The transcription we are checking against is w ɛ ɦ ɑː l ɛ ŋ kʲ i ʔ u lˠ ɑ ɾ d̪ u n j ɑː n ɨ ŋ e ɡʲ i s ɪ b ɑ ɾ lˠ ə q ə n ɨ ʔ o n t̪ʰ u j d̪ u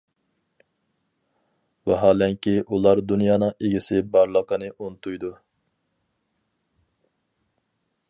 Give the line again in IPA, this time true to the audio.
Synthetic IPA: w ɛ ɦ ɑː l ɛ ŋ kʲ i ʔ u lˠ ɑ ɾ d̪ u n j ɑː n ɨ ŋ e ɡʲ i s ɪ b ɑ ɾ lˠ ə q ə n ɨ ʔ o n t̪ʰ u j d̪ u